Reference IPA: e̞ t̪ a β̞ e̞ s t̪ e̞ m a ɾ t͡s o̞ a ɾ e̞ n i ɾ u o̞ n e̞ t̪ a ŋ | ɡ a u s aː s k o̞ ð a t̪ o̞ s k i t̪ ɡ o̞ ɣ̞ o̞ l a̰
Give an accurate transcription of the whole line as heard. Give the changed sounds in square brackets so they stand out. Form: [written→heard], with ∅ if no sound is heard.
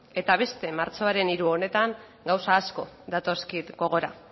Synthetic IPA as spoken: e̞ t̪ a β̞ e̞ s t̪ e̞ m a ɾ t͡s o̞ a ɾ e̞ n i ɾ u o̞ n e̞ t̪ a ŋ | ɡ a [u→w] s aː s k o̞ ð a t̪ o̞ s k i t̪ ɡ o̞ ɣ̞ o̞ [l→ɾ] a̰